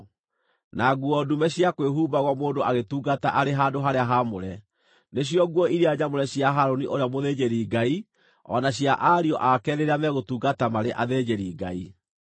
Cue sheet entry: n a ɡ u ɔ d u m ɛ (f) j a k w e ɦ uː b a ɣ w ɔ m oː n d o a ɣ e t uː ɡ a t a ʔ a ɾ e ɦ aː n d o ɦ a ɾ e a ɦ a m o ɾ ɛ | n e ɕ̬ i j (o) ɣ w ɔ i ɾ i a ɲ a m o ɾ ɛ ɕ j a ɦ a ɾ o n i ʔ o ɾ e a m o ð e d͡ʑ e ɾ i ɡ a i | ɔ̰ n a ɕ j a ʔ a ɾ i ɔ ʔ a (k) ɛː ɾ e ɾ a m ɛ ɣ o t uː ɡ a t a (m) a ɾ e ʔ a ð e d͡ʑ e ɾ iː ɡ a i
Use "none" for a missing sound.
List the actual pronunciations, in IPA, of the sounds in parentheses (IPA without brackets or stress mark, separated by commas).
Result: ɕ, ɔ, k, m